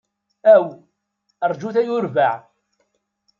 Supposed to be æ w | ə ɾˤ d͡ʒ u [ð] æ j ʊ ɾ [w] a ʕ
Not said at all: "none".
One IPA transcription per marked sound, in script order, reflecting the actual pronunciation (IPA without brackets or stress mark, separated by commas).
θ, v